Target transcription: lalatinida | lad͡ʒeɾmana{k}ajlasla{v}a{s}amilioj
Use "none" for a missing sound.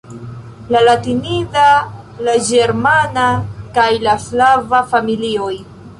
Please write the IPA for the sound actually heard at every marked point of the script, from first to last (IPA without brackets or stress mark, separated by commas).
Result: k, v, f